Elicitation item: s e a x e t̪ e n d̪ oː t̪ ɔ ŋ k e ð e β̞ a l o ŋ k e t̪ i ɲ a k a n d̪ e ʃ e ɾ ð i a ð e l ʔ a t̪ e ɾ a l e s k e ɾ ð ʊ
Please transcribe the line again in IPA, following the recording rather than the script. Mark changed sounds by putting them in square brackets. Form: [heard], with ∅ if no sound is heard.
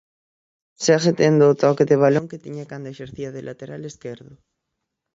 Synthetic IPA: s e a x e t̪ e n d̪ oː t̪ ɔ [∅] k e ð e β̞ a l o ŋ k e t̪ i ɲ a k a n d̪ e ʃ e ɾ [θ] i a ð e l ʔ a t̪ e ɾ a l e s k e ɾ ð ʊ